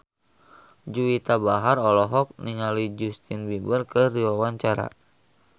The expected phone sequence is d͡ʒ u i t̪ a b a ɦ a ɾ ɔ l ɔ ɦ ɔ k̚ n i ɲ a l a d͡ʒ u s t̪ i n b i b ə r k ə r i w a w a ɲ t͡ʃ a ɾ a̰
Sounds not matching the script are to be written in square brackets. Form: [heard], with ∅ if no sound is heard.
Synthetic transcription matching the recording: d͡ʒ u i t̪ a b a ɦ a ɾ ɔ l ɔ ɦ ɔ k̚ n i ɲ a l [i] d͡ʒ u s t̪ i n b i b ə r k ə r i w a w a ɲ t͡ʃ a ɾ a̰